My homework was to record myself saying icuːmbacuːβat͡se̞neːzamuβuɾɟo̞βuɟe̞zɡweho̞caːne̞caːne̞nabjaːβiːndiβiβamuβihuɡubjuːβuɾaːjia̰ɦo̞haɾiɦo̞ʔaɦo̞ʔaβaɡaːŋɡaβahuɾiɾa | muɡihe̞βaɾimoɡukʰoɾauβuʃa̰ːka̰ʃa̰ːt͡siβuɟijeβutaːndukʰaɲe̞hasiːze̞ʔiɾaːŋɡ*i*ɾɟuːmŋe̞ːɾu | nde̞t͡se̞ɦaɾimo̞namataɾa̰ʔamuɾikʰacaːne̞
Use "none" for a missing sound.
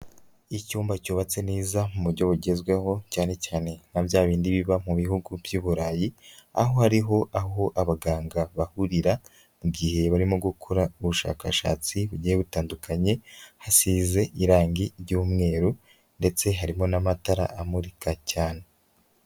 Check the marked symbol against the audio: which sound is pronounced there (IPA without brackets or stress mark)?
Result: i